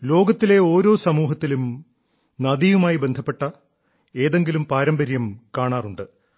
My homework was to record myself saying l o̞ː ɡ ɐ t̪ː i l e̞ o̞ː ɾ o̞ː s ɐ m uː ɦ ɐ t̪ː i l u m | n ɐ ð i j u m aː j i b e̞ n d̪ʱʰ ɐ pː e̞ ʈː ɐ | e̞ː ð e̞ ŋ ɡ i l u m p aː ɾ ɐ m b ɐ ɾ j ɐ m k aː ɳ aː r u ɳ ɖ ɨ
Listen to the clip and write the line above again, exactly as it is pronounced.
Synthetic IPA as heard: l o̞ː ɡ ɐ t̪ː i l e̞ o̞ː ɾ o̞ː s ɐ m uː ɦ ɐ t̪ː i l u m | n ɐ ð i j u m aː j i b e̞ n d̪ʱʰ ɐ pː e̞ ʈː ɐ | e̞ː ð e̞ ŋ ɡ i l u m p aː ɾ ɐ m b ɐ ɾ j ɐ m k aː ɳ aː r u ɳ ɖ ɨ

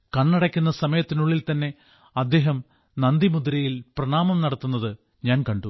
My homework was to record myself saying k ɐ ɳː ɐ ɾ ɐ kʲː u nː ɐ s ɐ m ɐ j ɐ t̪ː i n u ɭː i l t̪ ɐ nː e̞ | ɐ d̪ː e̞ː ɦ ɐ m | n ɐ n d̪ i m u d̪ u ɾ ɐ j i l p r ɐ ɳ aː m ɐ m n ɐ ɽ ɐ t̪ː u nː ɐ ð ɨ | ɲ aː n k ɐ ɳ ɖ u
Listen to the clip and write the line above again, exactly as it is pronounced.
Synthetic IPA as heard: k ɐ ɳː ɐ ɽ ɐ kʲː u nː ɐ s ɐ m ɐ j ɐ t̪ː i n u ɭː i l t̪ ɐ nː e̞ | ɐ d̪ː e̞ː ɦ ɐ m | n ɐ n d̪ i m u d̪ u ɾ ɐ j i l p r ɐ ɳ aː m ɐ m n ɐ ɽ ɐ t̪ː u nː ɐ ð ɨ | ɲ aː n k ɐ ɳ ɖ u

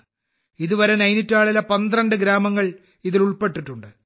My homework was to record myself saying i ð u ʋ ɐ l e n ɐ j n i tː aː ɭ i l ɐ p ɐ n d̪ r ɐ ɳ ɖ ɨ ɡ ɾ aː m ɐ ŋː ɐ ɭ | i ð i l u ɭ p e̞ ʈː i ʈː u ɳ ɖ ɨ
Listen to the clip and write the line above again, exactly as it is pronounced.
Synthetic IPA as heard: i ð u ʋ ɐ ɾ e n ɐ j n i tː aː ɭ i l ɐ p ɐ n d̪ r ɐ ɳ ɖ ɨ ɡ ɾ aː m ɐ ŋː ɐ ɭ | i ð i l u ɭ p e̞ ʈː i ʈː u ɳ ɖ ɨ

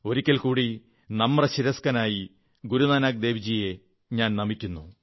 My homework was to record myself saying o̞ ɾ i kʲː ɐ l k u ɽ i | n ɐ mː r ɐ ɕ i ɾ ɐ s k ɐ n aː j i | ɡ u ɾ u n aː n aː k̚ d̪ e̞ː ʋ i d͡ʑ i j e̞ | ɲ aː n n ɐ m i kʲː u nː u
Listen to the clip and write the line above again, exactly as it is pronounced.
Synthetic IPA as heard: o̞ ɾ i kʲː ɐ l k uː ɽ i | n ɐ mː r ɐ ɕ i ɾ ɐ s k ɐ n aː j i | ɡ u ɾ u n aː n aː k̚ d̪ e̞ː ʋ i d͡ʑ i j e̞ | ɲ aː n n ɐ m i kʲː u nː u

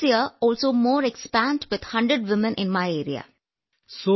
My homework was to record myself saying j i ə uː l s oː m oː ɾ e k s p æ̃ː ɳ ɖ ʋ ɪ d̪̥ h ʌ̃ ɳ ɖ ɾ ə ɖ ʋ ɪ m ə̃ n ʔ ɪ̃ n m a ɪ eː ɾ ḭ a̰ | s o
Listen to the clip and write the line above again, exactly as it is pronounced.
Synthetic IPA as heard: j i ə ɔː l s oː m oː ɾ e k s p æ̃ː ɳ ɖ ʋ ɪ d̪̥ h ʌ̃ ɳ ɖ ɾ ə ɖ ʋ ɪ m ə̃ n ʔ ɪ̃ n m a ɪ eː ɾ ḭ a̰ | s o

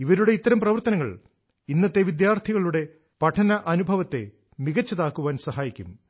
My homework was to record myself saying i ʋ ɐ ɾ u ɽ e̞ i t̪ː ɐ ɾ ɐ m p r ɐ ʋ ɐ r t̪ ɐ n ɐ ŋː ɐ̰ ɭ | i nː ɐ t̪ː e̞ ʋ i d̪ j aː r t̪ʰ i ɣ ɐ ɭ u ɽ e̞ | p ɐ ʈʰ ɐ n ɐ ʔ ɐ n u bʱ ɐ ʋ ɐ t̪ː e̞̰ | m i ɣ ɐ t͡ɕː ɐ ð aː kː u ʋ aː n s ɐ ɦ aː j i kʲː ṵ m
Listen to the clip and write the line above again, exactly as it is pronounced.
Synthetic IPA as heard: i ʋ ɐ ɾ u ɽ e̞ i t̪ː ɐ ɾ ɐ m p r ɐ ʋ ɐ r t̪ ɐ n ɐ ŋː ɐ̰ ɭ | i nː ɐ t̪ː e̞ ʋ i d̪ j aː r t̪ʰ i ɣ ɐ ɭ u ɽ e̞ | p ɐ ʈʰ ɐ n ɐ ʔ ɐ n u bʱ ɐ ʋ ɐ t̪ː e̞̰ | m i ɣ ɐ t͡ɕː ɐ ð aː kː u ʋ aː n s ɐ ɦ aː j i kʲː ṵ m

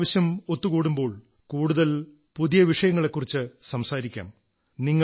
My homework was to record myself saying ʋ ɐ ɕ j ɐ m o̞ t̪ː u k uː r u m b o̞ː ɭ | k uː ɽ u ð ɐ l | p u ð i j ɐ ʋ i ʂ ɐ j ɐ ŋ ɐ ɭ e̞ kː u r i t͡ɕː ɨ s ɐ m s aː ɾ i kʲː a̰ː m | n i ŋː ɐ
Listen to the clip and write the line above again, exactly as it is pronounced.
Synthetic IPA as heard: ʋ ɐ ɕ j ɐ m o̞ t̪ː u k uː ɽ u m b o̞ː ɭ | k uː ɽ u ð ɐ l | p u ð i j ɐ ʋ i ʂ ɐ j ɐ ŋː ɐ ɭ e̞ kː u r i t͡ɕː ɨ s ɐ m s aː ɾ i kʲː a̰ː m | n i ŋː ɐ

